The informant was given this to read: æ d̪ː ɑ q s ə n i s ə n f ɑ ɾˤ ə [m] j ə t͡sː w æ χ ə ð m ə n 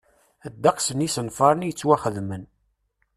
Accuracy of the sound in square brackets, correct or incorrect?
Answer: incorrect